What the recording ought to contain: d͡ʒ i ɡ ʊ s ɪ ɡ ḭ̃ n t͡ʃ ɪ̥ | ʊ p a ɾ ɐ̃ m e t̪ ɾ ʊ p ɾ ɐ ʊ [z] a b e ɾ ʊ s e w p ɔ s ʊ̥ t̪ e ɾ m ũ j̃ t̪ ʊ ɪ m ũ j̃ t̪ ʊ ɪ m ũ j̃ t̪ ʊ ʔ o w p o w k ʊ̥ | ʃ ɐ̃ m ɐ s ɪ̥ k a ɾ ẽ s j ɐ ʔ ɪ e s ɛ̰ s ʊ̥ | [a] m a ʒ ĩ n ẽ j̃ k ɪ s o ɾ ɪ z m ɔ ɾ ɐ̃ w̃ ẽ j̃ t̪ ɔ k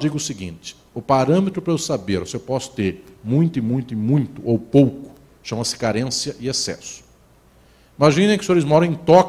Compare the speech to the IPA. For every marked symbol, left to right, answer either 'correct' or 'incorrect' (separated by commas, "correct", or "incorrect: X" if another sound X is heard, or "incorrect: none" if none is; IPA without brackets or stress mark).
incorrect: s, incorrect: i